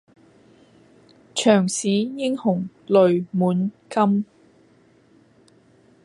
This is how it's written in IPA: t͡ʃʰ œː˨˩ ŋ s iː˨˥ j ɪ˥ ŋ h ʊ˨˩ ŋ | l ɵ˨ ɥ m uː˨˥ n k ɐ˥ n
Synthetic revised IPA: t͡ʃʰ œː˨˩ ŋ s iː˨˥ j ɪ˥ ŋ h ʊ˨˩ ŋ | l ɵ˨ ɥ m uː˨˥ n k ɐ˥ m